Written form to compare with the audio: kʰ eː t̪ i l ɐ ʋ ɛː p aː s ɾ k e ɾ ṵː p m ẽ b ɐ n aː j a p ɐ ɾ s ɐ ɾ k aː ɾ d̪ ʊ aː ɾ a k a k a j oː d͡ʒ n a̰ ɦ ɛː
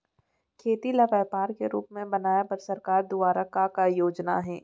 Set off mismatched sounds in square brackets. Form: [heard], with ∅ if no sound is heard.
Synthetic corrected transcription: kʰ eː t̪ i l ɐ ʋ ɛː p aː [∅] ɾ k e ɾ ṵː p m ẽ b ɐ n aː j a p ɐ ɾ s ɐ ɾ k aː ɾ d̪ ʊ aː ɾ a k a k a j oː d͡ʒ n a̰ ɦ ɛː

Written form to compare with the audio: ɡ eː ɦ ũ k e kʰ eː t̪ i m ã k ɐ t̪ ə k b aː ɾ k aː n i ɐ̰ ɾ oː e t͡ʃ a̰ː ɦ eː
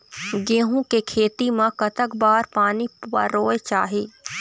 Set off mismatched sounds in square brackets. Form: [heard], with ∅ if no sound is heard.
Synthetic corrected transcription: ɡ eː ɦ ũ k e kʰ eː t̪ i m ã k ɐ t̪ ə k b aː ɾ [p] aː n i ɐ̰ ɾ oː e t͡ʃ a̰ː ɦ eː

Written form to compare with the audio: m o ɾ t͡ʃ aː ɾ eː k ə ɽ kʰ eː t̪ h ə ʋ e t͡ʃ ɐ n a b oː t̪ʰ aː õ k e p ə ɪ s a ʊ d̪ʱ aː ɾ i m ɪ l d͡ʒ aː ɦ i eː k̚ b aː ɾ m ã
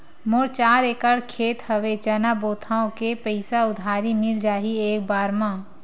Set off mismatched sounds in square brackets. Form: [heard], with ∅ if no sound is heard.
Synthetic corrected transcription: m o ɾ t͡ʃ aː ɾ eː k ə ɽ kʰ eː t̪ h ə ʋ e t͡ʃ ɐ n a b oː t̪ʰ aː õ k e p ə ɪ s a ʊ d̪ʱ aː ɾ i m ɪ l d͡ʒ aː ɦ i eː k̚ b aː ɾ m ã

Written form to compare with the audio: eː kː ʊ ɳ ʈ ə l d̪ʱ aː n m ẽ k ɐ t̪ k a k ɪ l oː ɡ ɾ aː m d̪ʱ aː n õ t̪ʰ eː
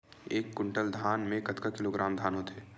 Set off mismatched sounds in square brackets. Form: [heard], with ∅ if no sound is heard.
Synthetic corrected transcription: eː kː ʊ ɳ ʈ ə l d̪ʱ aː n m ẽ k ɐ t̪ k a k ɪ l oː ɡ ɾ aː m d̪ʱ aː n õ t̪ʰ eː

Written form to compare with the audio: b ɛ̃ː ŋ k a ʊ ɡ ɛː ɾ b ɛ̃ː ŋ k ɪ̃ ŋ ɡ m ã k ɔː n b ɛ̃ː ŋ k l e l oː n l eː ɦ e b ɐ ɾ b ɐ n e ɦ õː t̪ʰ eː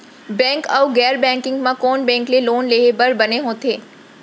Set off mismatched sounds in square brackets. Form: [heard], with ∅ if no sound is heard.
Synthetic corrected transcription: b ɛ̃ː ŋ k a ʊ ɡ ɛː ɾ b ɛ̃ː ŋ k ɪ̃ ŋ ɡ m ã k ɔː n b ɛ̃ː ŋ k l e l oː n l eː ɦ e b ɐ ɾ b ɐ n e ɦ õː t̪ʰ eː

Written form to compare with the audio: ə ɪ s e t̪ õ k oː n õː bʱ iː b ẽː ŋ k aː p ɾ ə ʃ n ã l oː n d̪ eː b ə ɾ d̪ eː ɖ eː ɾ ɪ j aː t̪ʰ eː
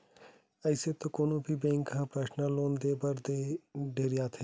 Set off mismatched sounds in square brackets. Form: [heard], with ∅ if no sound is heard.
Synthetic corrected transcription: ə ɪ s e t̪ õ k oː n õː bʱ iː b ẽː ŋ k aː p ɾ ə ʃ n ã l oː n d̪ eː b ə ɾ d̪ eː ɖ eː ɾ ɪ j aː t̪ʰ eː

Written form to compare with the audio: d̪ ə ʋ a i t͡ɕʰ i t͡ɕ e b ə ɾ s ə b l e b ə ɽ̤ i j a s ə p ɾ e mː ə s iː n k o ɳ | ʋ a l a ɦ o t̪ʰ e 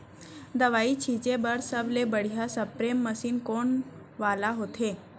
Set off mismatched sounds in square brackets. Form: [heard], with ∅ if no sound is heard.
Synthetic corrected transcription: d̪ ə ʋ a i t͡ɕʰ i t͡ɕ e b ə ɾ s ə b l e b ə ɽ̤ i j a s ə p ɾ e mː ə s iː n k o ɳ | ʋ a l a ɦ o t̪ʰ e

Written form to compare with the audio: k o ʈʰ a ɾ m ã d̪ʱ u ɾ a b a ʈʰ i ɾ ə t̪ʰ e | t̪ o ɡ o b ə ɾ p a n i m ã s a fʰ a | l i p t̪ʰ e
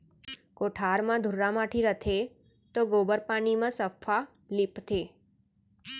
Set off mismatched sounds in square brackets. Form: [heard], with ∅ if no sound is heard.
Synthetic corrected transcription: k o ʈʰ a ɾ m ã d̪ʱ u ɾ a [m] a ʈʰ i ɾ ə t̪ʰ e | t̪ o ɡ o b ə ɾ p a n i m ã s [ə] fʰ a | l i p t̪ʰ e

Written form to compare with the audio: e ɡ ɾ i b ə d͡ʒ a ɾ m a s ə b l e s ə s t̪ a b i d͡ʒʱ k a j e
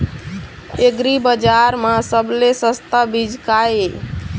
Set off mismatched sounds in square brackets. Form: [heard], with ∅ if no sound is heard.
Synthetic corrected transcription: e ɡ ɾ i b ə d͡ʒ a ɾ m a s ə b l e s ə s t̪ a b i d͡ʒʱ k a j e

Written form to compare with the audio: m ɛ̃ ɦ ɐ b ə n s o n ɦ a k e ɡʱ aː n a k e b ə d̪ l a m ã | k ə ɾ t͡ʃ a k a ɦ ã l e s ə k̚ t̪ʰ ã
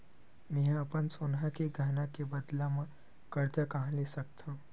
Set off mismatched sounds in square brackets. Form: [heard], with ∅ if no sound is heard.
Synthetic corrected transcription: m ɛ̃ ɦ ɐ [p] ə n s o n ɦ a k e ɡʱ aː n a k e b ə d̪ l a m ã | k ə ɾ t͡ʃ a k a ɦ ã l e s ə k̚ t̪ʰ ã

